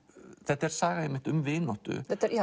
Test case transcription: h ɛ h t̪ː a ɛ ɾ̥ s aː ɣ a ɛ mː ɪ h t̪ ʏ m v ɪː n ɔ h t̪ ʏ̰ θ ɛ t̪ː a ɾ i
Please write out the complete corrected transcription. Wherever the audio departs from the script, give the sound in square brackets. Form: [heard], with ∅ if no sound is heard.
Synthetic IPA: [θ] ɛ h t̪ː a ɛ ɾ̥ s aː ɣ a ɛ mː ɪ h t̪ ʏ m v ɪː n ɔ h t̪ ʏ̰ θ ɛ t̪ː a ɾ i